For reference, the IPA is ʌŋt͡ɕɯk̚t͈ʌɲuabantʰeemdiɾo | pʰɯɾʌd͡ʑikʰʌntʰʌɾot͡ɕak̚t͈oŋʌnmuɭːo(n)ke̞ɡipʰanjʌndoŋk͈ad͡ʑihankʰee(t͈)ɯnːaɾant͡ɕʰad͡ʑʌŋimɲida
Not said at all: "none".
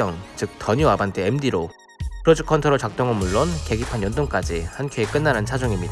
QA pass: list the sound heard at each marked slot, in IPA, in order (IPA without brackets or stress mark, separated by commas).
n, k͈